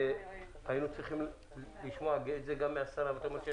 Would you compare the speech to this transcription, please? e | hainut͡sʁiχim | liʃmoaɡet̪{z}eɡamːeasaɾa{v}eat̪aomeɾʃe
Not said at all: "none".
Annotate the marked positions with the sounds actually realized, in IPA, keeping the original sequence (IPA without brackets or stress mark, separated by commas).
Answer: z, v